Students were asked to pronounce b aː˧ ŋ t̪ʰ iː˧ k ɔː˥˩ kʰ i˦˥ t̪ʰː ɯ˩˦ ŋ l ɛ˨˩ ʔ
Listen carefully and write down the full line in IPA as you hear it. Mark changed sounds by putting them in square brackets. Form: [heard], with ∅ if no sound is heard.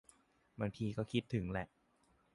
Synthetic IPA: b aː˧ ŋ t̪ʰ iː˧ k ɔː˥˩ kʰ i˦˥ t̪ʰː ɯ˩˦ ŋ l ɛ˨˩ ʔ